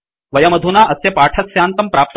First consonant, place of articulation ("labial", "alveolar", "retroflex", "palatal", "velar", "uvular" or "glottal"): labial